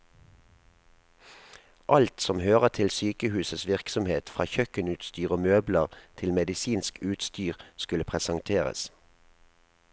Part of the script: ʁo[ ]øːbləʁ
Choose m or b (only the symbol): m